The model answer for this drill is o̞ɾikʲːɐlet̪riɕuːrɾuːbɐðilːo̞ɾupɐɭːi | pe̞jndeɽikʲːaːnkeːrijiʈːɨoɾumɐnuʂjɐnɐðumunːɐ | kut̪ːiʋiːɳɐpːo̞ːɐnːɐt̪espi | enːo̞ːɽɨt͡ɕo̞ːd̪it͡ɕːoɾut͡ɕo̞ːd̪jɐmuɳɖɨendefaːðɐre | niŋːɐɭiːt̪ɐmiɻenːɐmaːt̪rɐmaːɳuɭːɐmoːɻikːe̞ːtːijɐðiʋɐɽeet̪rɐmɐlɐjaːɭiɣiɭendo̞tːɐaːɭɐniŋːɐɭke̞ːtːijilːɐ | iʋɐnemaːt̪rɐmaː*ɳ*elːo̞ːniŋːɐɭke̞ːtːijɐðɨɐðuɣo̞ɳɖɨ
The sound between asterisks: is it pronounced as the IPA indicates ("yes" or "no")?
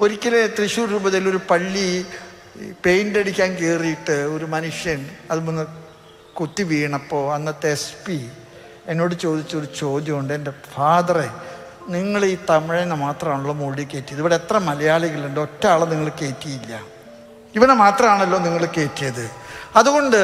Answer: yes